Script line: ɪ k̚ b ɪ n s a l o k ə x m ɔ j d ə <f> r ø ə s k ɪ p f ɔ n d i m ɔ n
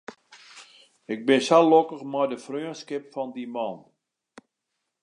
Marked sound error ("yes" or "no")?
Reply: no